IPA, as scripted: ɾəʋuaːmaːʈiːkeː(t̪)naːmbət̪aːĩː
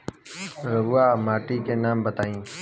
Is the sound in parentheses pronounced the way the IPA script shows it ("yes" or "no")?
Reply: no